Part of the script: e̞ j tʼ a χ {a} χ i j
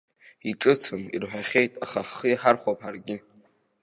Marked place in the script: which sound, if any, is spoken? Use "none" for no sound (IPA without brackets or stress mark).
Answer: a